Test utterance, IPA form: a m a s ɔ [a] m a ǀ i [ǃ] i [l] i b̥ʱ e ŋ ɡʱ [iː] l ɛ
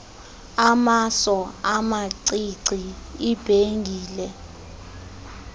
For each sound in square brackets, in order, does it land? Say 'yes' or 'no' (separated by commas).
yes, no, no, yes